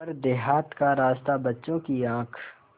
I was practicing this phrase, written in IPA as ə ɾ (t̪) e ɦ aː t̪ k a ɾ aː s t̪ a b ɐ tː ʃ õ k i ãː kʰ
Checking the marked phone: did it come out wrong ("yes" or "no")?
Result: yes